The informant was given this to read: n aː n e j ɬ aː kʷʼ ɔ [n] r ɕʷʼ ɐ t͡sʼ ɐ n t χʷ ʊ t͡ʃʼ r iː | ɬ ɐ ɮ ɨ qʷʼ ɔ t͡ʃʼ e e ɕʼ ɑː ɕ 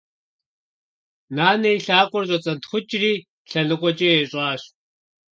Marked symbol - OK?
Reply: no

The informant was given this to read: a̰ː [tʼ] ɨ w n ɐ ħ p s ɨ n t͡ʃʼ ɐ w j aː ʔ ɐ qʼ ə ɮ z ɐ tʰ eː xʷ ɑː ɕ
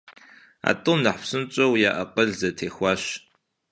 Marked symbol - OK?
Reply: yes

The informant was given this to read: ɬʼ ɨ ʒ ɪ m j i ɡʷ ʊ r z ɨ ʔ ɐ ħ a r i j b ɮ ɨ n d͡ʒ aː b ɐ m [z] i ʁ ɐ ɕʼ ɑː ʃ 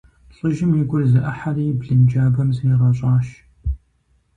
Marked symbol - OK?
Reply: yes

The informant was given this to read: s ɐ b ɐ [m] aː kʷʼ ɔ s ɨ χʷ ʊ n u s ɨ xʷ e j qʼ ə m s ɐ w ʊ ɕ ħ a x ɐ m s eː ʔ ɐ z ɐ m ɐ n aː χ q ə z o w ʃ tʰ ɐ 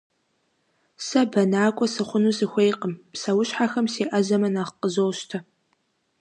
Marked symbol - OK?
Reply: no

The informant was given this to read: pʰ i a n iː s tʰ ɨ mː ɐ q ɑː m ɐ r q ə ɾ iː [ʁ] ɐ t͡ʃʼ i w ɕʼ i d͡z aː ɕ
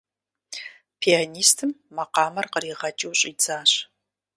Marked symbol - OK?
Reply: yes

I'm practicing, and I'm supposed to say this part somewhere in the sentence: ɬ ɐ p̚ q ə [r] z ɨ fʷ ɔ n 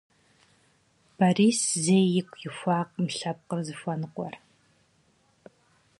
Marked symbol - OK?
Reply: yes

